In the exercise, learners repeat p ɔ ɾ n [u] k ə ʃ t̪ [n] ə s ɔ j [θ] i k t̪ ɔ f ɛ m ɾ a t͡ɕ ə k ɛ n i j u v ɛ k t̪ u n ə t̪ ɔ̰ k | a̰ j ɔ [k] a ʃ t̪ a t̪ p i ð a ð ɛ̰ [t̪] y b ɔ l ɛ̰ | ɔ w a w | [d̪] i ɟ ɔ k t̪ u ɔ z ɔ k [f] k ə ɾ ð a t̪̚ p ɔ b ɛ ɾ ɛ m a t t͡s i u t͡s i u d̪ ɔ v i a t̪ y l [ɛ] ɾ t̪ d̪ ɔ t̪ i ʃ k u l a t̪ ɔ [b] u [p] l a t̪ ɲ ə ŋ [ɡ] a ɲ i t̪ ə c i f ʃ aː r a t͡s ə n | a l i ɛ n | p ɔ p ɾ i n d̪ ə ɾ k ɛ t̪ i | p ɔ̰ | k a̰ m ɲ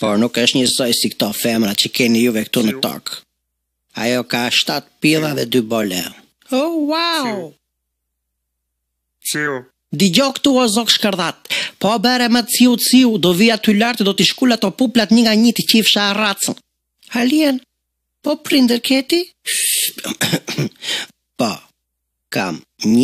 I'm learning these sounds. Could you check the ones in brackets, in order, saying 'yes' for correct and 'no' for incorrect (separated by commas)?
yes, no, no, yes, no, yes, no, no, no, yes, yes